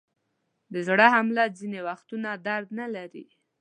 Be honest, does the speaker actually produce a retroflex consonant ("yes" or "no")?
yes